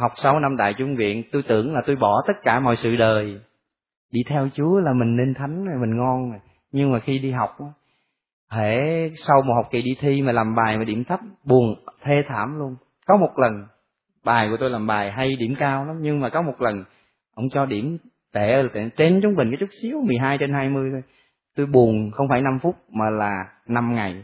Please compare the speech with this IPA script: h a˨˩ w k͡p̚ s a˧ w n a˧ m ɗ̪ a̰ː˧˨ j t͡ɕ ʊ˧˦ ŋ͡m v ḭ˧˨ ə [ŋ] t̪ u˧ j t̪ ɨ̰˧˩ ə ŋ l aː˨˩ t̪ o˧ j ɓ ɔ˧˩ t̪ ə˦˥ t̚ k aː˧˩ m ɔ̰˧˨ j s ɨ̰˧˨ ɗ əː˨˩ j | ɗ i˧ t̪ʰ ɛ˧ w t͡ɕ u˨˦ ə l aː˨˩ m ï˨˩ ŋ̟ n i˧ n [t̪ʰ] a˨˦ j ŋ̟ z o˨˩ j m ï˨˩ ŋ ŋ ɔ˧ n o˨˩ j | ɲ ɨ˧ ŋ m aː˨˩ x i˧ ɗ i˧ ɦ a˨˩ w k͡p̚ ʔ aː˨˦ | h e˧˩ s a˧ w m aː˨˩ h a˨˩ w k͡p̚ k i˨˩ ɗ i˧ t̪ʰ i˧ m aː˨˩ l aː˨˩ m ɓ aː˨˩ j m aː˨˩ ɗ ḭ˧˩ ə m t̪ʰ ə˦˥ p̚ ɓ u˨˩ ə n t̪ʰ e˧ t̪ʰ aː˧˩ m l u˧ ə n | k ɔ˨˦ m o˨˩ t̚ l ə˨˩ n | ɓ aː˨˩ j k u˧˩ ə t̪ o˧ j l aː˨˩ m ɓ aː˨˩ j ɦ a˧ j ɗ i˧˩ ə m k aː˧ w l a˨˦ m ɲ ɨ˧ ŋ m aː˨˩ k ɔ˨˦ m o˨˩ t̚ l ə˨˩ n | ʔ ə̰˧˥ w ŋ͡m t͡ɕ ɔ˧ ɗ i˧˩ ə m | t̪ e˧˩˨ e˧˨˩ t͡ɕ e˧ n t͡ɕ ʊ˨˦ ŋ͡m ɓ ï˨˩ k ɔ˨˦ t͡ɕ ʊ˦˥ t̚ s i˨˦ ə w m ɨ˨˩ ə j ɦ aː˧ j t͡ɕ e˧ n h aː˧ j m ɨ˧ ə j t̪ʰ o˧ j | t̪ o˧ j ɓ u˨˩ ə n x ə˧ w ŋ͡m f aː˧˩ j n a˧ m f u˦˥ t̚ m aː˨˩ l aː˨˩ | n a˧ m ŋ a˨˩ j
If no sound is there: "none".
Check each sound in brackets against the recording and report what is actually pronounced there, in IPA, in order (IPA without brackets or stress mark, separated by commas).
n, t̪ʰ